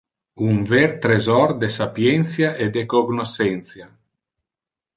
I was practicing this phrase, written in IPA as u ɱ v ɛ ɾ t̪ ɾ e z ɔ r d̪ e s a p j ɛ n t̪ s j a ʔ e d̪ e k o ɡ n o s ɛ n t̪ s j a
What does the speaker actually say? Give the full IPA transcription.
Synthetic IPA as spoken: u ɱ v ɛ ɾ t̪ ɾ e z ɔ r d̪ e s a p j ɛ n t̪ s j a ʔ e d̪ e k o ɡ n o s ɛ n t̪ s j a